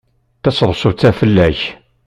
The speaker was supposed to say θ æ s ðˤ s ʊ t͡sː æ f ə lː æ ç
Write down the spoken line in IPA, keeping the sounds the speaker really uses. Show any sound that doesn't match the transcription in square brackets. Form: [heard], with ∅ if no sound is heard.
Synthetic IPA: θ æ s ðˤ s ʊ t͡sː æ f ə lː æ ç